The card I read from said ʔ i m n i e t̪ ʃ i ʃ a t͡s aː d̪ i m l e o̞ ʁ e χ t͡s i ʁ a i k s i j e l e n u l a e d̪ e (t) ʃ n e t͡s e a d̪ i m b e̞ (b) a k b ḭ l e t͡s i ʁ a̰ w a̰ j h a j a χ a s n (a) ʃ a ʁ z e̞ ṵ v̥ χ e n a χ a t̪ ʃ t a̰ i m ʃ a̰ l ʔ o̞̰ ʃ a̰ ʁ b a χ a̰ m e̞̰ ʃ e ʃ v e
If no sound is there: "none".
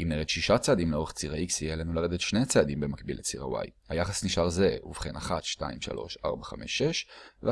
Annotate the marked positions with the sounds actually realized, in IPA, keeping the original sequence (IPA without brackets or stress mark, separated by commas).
t, m, i